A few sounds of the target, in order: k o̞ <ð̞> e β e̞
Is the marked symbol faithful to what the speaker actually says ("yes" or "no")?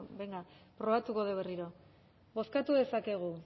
yes